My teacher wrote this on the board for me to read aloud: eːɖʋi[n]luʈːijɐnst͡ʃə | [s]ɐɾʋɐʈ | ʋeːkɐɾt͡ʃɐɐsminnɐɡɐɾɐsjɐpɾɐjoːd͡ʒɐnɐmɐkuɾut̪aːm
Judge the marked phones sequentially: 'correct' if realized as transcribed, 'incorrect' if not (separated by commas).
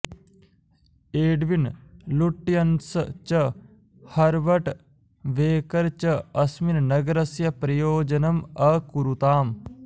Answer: correct, incorrect